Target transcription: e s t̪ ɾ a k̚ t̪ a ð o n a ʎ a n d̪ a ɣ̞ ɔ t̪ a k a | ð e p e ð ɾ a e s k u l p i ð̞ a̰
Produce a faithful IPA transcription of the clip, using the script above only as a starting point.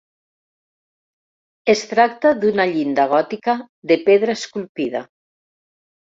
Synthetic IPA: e s t̪ ɾ a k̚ t̪ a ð u n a ʎ i n d̪ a ɣ̞ ɔ t̪ i k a | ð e p e ð ɾ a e s k u l p i ð̞ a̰